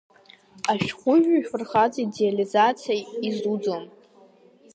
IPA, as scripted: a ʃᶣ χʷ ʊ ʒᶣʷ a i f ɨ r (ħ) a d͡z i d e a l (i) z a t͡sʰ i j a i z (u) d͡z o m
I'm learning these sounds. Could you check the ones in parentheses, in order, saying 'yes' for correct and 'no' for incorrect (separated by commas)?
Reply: no, yes, yes